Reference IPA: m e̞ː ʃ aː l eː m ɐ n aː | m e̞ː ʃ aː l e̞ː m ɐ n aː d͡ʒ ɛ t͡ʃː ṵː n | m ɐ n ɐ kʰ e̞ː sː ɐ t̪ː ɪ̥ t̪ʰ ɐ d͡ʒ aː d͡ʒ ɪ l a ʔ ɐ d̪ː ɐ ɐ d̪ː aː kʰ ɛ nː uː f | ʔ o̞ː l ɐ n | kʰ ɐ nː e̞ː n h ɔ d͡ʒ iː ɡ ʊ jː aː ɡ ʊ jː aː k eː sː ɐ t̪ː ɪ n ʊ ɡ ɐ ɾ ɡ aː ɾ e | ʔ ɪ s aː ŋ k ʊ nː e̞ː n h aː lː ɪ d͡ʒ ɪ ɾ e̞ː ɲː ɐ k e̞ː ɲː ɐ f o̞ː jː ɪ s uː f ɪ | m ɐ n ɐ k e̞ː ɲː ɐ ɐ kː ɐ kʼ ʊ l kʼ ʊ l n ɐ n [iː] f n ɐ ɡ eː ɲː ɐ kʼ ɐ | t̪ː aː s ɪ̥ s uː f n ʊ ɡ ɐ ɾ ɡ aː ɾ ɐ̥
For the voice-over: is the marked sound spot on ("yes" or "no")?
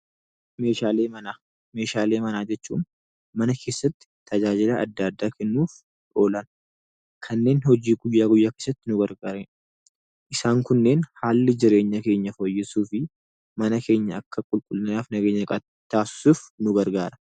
no